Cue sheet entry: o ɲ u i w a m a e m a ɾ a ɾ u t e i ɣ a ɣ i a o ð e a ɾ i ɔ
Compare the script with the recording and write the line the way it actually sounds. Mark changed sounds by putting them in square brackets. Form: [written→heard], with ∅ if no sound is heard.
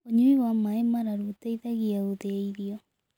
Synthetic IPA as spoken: o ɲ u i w a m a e m a ɾ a ɾ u t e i [ɣ→ð] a ɣ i a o ð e [a→i] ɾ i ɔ